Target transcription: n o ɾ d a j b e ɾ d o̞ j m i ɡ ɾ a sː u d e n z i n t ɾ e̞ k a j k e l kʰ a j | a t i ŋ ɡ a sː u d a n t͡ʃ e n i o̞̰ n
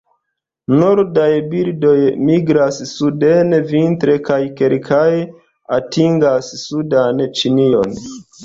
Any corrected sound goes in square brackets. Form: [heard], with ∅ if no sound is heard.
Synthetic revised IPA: n o ɾ d a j b [i] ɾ d o̞ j m i ɡ ɾ a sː u d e n [v] i n t ɾ e̞ k a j k e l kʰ a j | a t i ŋ ɡ a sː u d a n t͡ʃ [i] n i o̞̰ n

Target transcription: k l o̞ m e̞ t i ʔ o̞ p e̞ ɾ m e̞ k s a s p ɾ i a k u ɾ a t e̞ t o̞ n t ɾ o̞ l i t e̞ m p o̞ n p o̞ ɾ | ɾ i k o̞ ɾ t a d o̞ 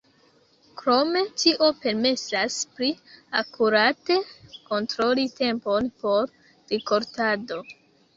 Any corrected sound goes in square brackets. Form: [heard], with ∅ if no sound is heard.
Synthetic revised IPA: k [ɾ] o̞ m e̞ t i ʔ o̞ p e̞ ɾ m e̞ [∅] s a s p ɾ i a k u ɾ a t e̞ [k] o̞ n t ɾ o̞ l i t e̞ m p o̞ n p o̞ ɾ | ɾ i k o̞ ɾ t a d o̞

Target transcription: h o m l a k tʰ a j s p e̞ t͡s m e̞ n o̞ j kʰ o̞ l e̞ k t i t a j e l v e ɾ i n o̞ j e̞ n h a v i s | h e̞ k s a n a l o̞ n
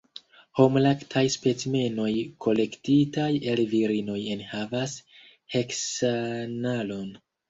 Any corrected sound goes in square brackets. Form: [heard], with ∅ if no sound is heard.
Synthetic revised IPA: h o m l a k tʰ a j s p e̞ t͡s m e̞ n o̞ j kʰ o̞ l e̞ k t i t a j e l v [i] ɾ i n o̞ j e̞ n h a v [a] s | h e̞ k s a n a l o̞ n

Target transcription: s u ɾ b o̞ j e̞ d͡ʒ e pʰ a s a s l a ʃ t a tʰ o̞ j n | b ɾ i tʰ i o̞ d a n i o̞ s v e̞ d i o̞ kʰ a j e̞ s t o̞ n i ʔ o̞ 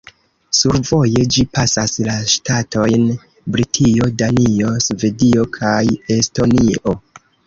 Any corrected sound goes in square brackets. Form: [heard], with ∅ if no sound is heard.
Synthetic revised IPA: s u ɾ [v] o̞ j e̞ d͡ʒ [i] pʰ a s a s l a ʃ t a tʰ o̞ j n | b ɾ i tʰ i o̞ d a n i o̞ s v e̞ d i o̞ kʰ a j e̞ s t o̞ n i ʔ o̞

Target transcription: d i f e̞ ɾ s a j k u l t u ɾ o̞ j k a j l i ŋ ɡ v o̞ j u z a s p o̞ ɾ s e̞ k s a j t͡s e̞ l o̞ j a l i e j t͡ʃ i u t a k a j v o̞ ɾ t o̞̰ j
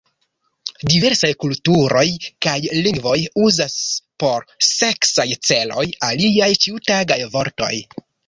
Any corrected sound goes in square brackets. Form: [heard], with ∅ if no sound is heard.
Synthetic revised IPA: d i [v] e̞ ɾ s a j k u l t u ɾ o̞ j k a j l i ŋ ɡ v o̞ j u z a s p o̞ ɾ s e̞ k s a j t͡s e̞ l o̞ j a l i [a] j t͡ʃ i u t a [ɡ] a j v o̞ ɾ t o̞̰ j

